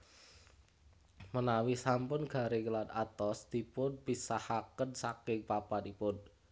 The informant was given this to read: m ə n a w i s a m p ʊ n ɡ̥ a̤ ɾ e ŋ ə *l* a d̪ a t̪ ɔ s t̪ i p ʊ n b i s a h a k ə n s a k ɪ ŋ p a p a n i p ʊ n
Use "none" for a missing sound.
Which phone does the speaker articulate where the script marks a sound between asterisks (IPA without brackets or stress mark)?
l